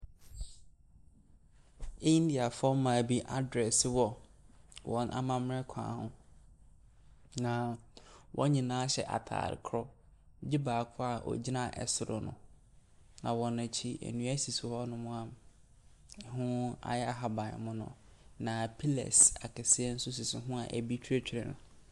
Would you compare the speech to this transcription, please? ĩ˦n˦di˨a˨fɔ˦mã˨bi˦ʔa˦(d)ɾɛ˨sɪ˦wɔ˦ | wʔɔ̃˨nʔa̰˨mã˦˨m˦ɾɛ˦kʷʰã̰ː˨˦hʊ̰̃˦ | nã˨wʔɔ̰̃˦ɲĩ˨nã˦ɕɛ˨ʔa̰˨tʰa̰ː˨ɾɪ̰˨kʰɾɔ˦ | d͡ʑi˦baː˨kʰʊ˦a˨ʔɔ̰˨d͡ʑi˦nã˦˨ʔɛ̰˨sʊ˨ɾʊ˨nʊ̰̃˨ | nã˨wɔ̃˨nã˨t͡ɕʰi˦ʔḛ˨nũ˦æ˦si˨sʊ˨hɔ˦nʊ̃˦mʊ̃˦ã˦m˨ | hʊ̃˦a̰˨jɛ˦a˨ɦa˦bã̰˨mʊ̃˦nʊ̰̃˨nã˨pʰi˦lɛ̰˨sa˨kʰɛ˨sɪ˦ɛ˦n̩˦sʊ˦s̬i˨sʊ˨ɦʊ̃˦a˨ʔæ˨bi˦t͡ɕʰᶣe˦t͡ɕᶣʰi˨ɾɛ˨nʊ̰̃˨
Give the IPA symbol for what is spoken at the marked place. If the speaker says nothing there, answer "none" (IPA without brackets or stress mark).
d